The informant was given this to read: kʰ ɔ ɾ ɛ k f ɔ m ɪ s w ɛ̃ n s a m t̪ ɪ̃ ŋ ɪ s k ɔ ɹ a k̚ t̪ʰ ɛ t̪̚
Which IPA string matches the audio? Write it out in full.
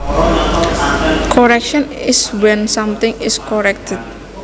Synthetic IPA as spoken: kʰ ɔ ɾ ɛ k ʃ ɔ n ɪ s w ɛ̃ n s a m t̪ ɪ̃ ŋ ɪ s k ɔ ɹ ɛ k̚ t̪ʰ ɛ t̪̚